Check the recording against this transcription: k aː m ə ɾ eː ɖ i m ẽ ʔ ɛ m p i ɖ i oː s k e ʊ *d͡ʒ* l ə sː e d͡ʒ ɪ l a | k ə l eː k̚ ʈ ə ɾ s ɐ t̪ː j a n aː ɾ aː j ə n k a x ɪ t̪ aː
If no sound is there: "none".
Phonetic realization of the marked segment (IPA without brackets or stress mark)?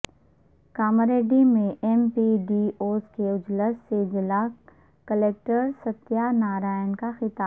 d͡ʒ